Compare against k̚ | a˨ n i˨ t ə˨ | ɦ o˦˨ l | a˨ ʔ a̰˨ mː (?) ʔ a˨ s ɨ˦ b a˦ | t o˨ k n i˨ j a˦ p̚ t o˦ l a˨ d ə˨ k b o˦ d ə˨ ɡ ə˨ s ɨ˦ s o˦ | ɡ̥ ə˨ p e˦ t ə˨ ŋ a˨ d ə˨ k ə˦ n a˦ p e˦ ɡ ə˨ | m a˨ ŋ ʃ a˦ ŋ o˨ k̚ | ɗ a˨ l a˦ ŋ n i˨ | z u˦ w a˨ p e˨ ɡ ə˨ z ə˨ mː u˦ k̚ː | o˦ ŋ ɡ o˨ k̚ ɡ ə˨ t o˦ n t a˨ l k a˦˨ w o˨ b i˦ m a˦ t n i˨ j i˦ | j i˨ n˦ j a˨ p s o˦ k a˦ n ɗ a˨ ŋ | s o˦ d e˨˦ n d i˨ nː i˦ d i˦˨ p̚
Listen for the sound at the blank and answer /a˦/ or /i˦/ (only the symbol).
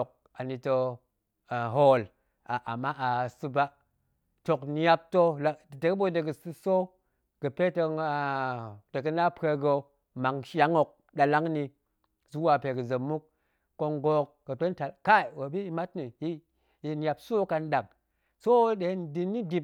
a˦